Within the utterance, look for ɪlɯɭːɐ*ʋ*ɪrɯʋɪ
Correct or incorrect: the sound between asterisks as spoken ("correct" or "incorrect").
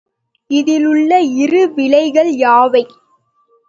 incorrect